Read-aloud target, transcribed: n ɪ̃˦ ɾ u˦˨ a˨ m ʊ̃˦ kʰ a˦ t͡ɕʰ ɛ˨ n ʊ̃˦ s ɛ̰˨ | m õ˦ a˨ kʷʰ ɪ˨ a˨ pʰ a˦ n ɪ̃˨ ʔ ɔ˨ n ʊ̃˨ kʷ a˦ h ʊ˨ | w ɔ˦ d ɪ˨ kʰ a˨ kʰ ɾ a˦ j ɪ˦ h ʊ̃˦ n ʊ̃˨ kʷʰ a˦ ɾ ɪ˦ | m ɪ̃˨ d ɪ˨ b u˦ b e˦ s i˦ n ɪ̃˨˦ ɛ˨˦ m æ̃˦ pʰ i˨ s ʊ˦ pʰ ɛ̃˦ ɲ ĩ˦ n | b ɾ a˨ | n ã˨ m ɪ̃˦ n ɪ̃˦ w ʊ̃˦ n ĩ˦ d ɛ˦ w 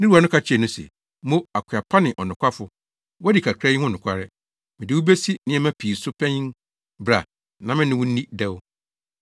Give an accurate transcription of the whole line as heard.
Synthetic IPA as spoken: n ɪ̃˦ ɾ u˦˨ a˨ n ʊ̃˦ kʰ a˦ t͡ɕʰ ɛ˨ n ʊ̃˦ s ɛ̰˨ | m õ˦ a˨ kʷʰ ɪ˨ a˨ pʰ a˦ n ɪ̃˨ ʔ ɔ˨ n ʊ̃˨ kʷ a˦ f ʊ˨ | w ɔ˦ d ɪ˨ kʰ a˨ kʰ ɾ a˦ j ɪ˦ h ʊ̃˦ n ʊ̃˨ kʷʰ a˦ ɾ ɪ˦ | m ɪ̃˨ d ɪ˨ w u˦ b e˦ s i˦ n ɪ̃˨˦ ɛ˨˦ m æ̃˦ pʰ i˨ s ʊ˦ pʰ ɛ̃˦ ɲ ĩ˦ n | b ɾ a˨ | n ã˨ m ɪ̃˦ n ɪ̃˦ w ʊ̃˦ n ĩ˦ d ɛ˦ w

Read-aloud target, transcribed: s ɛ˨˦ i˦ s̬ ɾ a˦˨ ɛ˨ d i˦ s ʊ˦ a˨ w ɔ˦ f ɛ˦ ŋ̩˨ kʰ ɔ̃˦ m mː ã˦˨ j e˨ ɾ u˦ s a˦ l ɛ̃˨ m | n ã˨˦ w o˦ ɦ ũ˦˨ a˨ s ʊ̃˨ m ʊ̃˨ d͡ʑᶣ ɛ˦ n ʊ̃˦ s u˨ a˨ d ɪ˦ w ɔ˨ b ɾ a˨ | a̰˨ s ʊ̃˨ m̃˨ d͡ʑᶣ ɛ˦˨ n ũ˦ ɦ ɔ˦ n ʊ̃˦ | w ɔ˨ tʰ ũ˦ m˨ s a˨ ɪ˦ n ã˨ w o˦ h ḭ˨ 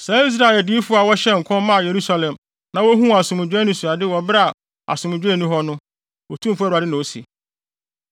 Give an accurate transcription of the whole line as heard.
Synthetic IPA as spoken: s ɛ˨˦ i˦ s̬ ɾ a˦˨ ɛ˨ d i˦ f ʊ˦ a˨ w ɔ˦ ɕ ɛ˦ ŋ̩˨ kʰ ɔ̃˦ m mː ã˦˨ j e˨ ɾ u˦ s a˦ l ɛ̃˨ m | n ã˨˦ w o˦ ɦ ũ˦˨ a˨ s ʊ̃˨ m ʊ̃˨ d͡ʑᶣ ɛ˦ n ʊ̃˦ s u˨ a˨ d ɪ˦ w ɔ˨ b ɾ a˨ | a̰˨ s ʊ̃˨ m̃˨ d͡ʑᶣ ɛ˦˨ n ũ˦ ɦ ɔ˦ n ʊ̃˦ | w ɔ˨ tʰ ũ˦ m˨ f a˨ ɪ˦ n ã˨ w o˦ s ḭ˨

